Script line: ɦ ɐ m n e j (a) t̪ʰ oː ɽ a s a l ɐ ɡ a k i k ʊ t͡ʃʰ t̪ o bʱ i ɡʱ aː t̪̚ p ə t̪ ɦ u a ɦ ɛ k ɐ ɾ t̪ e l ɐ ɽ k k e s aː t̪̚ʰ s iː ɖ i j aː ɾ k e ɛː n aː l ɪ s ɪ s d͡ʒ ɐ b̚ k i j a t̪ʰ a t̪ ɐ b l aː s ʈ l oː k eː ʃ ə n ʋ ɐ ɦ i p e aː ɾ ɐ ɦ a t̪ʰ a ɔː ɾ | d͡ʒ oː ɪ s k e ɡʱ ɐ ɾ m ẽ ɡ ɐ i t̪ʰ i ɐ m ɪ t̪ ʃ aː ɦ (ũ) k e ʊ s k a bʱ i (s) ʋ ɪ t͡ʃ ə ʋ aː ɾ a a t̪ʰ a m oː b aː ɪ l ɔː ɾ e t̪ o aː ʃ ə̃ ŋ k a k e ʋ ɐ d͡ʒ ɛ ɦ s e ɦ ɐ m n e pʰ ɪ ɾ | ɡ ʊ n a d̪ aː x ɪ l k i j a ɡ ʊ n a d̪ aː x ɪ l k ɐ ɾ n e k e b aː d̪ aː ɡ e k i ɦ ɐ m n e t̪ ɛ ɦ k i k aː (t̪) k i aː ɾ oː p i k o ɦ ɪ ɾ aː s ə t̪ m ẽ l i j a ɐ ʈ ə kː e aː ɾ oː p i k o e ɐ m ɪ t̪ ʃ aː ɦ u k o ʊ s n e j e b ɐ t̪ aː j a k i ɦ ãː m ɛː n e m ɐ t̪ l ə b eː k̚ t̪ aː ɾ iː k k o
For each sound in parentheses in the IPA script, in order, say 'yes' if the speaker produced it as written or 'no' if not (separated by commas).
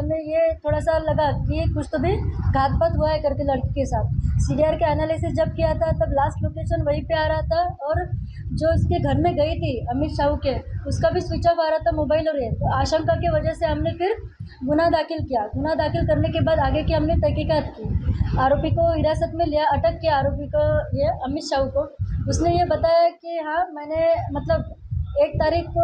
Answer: no, no, yes, yes